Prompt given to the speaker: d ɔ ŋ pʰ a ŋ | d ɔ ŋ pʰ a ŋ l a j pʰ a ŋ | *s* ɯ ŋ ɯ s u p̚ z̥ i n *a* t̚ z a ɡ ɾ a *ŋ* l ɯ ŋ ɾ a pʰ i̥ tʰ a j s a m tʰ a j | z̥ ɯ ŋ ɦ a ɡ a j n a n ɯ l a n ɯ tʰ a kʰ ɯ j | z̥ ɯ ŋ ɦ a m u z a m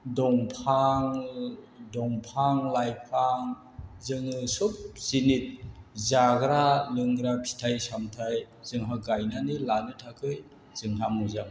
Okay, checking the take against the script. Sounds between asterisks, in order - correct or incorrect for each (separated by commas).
incorrect, incorrect, incorrect